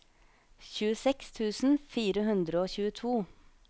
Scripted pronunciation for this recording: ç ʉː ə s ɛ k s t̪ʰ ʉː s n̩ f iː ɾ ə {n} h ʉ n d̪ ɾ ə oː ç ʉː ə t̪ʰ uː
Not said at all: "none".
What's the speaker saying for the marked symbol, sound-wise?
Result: none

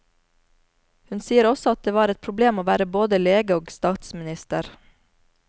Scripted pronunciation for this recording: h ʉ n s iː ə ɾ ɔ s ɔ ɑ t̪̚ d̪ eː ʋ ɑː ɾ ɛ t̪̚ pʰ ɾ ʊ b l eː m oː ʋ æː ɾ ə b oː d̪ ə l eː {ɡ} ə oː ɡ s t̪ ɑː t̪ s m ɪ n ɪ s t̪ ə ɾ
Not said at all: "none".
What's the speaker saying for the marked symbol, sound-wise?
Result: ɡ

